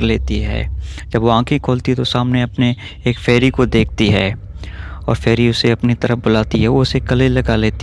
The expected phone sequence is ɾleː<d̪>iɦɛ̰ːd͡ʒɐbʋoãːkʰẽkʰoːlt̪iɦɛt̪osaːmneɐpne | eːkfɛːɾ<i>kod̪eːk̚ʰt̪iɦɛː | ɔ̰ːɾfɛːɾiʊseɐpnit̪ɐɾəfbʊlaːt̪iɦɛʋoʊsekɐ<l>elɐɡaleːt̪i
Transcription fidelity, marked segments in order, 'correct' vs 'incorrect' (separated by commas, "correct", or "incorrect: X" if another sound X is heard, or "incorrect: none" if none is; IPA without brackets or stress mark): incorrect: t̪, correct, correct